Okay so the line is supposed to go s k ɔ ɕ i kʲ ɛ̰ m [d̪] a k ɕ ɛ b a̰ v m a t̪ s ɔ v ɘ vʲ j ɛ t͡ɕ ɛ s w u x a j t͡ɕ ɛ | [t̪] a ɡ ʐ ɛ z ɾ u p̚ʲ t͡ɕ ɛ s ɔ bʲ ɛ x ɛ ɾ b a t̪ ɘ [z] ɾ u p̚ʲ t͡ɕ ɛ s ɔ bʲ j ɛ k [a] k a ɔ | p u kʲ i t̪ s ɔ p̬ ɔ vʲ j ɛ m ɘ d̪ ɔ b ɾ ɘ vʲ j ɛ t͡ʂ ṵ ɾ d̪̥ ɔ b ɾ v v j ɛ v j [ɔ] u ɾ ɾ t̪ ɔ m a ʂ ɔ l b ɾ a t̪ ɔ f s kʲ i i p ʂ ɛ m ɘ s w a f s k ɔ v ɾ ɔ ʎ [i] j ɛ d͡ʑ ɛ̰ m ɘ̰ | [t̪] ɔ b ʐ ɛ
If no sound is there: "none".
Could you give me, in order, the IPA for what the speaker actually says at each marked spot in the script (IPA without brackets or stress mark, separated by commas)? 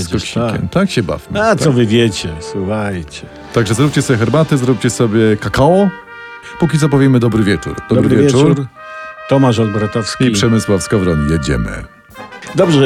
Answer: t̪, t̪, z, a, u, i, d̪